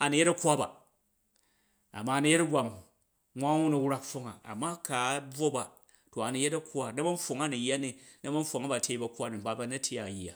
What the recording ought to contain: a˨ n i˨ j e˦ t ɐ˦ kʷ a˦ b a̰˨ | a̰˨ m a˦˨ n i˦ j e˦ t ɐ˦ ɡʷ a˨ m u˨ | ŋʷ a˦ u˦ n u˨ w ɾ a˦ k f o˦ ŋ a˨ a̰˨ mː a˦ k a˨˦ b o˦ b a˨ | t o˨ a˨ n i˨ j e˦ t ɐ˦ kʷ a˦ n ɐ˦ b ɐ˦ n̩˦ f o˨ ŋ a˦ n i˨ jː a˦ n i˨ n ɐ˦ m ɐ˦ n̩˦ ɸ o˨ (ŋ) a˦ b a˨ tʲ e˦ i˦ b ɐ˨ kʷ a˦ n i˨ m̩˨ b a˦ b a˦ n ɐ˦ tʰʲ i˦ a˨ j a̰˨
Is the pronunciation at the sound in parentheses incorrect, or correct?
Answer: correct